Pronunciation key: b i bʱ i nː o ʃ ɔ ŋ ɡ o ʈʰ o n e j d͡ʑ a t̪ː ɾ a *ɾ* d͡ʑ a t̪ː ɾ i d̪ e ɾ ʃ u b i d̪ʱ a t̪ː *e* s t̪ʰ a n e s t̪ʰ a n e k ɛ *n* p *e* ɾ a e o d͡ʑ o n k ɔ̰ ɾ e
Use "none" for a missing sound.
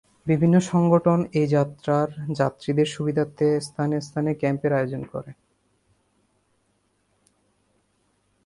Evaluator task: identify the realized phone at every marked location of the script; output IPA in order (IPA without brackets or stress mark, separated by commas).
ɾ, e, m, e